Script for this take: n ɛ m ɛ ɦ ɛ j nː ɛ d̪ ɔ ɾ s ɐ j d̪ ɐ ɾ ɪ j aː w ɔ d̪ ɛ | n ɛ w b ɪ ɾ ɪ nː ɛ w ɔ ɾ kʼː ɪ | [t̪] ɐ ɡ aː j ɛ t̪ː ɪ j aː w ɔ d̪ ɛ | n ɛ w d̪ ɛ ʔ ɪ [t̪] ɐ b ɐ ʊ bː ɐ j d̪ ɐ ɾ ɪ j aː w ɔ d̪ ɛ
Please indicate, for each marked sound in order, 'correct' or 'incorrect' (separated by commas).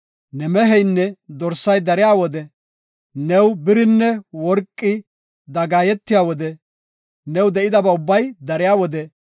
incorrect, incorrect